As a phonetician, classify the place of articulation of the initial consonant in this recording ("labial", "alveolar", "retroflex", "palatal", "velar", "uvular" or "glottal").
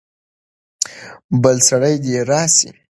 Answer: labial